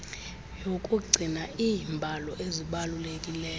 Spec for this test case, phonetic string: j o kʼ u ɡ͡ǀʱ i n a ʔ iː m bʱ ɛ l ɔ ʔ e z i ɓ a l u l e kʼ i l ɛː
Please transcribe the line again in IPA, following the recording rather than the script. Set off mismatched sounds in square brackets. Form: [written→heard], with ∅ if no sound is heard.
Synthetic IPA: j o kʼ u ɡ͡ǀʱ i n a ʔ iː m bʱ [ɛ→a] l ɔ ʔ e z i ɓ a l u l e kʼ i l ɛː